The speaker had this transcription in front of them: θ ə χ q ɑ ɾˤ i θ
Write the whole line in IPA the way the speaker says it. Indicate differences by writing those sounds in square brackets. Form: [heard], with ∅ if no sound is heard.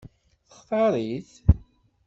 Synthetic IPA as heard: θ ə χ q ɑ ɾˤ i θ